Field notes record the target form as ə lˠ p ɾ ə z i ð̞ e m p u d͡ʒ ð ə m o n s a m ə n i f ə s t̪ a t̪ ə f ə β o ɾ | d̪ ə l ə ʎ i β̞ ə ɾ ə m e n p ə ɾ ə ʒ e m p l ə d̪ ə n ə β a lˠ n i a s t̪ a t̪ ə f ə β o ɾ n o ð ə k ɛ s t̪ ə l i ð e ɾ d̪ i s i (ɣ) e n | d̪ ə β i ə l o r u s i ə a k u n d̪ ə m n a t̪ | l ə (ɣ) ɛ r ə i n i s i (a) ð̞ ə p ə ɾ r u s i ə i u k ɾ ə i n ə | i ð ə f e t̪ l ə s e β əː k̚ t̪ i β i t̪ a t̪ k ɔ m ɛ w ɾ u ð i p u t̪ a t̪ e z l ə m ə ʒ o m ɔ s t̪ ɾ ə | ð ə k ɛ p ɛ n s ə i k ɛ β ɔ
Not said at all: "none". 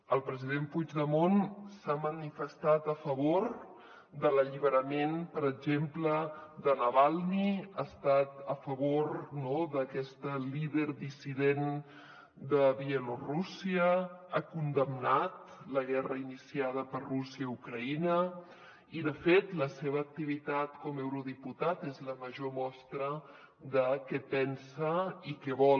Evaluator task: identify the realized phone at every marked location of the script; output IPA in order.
ð, ɣ, a

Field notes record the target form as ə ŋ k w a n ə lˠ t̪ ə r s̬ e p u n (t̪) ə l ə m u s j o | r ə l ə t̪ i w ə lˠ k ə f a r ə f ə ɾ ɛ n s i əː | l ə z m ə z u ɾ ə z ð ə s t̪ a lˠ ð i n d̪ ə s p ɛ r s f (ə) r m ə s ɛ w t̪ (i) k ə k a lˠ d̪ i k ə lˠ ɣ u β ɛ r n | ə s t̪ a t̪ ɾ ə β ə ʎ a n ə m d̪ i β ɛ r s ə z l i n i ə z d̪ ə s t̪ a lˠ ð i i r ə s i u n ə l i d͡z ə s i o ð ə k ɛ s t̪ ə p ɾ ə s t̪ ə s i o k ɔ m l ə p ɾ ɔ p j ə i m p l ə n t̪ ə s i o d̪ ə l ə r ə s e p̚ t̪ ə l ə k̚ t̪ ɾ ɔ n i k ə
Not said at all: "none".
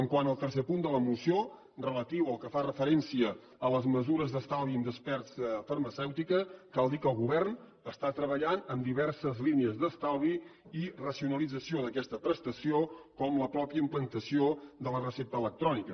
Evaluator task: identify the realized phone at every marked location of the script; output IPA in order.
d̪, ə, i

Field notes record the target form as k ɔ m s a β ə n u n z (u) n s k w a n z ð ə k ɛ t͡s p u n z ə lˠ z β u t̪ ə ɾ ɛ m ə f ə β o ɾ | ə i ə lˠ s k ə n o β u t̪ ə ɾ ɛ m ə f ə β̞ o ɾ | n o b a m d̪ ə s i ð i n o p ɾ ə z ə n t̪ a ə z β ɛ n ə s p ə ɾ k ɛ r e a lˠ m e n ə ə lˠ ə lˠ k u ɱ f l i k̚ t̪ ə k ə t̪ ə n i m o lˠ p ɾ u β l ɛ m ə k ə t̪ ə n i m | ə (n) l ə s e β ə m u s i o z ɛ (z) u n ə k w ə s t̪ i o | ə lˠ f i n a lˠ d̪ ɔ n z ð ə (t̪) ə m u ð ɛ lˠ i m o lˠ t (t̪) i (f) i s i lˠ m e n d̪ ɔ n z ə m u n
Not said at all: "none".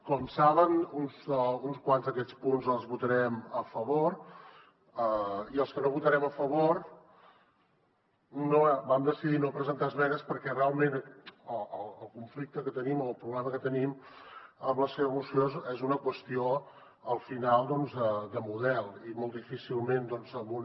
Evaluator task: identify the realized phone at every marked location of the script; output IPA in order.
u, m, z, d̪, d̪, f

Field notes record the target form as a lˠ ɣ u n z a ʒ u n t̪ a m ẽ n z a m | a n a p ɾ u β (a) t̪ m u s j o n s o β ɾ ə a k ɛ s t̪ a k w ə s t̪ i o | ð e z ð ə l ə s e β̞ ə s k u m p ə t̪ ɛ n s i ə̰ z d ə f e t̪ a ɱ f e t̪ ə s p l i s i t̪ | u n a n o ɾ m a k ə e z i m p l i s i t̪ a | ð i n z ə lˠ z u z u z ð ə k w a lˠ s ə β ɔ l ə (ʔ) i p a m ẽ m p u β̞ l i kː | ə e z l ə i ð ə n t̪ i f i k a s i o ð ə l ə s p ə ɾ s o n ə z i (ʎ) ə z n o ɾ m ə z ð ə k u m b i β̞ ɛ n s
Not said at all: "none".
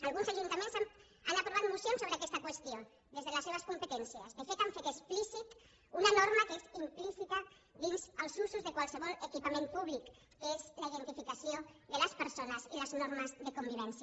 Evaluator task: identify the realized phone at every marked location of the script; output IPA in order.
a, k, l

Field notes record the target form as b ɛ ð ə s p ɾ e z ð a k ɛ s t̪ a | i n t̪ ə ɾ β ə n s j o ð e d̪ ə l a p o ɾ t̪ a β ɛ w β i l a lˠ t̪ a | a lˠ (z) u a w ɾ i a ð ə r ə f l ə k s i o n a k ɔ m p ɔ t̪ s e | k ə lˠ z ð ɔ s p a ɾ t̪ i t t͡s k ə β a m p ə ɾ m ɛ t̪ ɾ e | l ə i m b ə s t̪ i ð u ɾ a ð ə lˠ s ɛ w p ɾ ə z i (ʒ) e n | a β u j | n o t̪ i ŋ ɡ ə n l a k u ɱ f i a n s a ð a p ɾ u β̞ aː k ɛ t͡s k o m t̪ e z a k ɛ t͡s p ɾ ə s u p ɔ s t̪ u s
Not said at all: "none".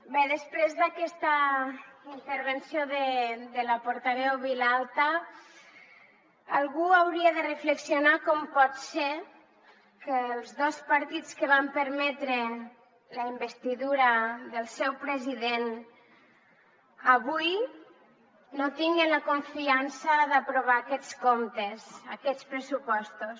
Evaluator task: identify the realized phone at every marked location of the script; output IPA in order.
ɣ, ð

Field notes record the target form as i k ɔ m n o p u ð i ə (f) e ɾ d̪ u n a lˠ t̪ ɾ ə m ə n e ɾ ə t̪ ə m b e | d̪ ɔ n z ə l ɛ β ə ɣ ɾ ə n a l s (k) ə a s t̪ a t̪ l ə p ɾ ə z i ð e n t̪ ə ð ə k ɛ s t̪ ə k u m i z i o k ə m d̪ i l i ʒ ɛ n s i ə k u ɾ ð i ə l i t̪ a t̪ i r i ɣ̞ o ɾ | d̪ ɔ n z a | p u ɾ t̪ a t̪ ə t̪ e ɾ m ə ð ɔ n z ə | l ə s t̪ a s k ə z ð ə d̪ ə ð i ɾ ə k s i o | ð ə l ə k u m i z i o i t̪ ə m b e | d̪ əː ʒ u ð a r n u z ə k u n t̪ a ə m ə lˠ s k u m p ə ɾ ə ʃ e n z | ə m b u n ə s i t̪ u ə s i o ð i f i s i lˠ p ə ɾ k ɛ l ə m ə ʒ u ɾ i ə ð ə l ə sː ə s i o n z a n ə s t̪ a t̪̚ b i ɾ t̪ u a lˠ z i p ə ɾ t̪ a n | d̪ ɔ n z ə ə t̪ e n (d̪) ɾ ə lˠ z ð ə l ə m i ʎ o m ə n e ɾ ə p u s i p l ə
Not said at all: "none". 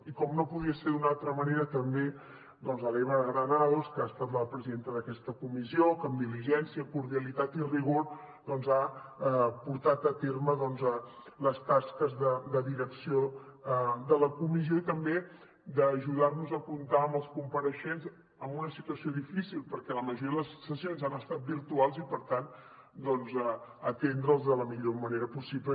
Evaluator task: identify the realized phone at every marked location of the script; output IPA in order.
s, k, d̪

